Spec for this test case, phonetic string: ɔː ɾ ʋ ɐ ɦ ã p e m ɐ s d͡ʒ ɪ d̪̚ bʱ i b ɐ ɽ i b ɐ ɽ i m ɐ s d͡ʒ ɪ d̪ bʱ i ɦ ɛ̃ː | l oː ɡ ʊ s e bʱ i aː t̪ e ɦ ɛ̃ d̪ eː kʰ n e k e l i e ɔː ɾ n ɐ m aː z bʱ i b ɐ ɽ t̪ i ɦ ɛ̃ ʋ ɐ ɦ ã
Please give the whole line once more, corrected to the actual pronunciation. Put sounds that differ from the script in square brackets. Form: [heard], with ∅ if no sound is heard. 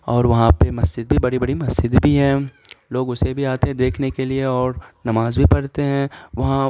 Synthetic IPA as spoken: ɔː ɾ ʋ ɐ ɦ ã p e m ɐ s d͡ʒ ɪ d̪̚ bʱ i b ɐ ɽ i b ɐ ɽ i m ɐ s d͡ʒ ɪ d̪ bʱ i ɦ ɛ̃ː | l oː ɡ ʊ s e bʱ i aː t̪ e ɦ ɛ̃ d̪ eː kʰ n e k e l i e ɔː ɾ n ɐ m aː z bʱ i [p] ɐ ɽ t̪ [e] ɦ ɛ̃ ʋ ɐ ɦ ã